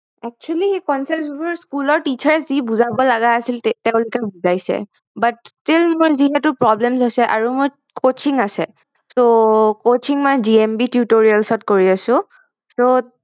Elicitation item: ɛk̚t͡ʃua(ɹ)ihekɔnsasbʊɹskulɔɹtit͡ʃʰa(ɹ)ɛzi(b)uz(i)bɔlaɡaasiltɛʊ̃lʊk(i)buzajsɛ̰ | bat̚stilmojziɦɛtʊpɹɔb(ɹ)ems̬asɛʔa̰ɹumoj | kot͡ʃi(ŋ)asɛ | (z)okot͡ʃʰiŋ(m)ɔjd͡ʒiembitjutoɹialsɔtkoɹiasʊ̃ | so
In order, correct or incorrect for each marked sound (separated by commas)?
incorrect, correct, correct, incorrect, incorrect, incorrect, correct, incorrect, correct